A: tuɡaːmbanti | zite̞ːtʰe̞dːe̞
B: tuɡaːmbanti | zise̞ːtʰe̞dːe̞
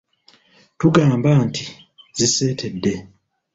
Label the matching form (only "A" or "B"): B